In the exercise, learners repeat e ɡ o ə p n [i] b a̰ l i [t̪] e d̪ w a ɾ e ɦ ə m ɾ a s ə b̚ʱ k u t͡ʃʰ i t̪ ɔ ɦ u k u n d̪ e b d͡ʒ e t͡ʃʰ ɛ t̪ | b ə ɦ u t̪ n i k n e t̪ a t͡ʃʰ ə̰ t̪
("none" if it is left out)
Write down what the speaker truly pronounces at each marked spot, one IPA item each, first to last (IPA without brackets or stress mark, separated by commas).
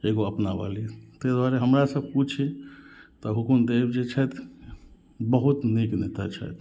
a, t̪